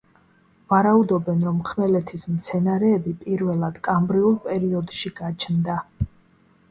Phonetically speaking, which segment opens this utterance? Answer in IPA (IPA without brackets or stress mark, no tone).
v